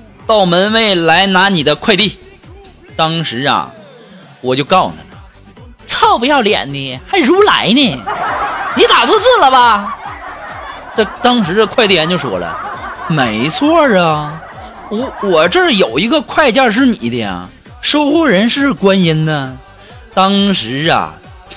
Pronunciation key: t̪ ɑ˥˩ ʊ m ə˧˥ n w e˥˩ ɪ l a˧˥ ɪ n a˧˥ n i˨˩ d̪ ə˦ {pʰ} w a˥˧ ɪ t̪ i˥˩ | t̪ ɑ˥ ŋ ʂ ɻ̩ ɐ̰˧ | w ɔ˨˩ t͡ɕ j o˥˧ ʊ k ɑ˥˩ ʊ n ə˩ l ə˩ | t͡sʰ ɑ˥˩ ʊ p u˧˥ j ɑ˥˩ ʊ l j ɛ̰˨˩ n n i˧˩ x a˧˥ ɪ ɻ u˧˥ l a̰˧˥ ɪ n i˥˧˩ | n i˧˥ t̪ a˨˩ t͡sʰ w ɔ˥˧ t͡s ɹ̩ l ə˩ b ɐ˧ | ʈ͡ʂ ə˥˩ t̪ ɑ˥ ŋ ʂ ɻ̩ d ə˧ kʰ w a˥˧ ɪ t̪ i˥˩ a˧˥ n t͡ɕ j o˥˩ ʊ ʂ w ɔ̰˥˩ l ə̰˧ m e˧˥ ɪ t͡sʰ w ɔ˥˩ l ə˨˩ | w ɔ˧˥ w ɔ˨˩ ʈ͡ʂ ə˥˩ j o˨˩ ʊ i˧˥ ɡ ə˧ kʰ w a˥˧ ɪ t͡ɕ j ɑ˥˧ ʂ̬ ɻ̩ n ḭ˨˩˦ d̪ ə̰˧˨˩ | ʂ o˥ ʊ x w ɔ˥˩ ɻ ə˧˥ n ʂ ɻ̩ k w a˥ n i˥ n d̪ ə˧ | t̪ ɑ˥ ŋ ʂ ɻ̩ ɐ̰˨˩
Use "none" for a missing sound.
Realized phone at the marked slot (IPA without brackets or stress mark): kʰ